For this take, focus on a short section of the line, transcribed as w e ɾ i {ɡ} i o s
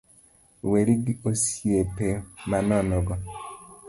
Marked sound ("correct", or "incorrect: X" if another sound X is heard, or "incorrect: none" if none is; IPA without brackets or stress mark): correct